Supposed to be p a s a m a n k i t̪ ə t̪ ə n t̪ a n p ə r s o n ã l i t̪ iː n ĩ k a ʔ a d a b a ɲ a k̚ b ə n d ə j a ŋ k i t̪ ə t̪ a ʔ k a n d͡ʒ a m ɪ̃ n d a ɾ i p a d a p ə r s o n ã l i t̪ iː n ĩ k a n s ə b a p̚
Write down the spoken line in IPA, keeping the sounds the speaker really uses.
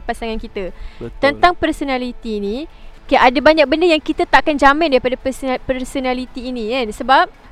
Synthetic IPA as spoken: p a s a ŋ a n k i t̪ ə t̪ ə n t̪ a ŋ p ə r s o n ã l i t̪ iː n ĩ k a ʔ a d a b a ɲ a k̚ b ə n d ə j a ŋ k i t̪ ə t̪ a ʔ k a n d͡ʒ a m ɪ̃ n d a ɾ i p a d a p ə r s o n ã l i t̪ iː n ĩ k a n s ə b a p̚